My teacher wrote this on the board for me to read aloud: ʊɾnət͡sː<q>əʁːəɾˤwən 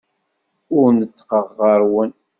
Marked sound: correct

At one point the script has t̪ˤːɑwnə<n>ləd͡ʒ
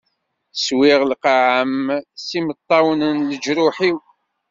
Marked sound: correct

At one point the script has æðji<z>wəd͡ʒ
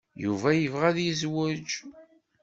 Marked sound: correct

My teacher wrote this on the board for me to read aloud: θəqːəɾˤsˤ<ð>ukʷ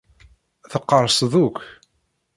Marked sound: correct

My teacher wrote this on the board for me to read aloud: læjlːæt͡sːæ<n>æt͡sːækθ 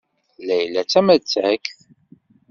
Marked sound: incorrect: m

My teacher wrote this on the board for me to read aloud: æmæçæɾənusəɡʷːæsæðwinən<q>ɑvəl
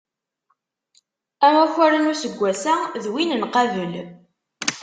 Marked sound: correct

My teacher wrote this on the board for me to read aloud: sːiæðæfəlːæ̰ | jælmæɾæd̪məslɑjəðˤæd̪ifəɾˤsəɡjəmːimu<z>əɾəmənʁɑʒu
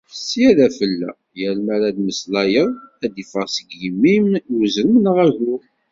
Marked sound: correct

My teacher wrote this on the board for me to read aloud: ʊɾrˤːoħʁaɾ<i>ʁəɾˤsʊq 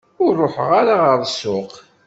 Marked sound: incorrect: a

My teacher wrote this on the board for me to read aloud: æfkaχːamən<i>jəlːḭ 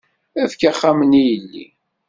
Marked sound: correct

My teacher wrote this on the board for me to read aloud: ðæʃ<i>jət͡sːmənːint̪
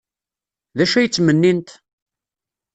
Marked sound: incorrect: æ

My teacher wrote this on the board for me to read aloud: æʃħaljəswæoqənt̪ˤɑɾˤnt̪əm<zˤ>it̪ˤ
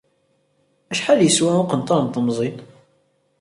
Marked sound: correct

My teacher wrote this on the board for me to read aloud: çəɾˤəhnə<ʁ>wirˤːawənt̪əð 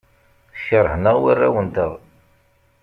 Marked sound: correct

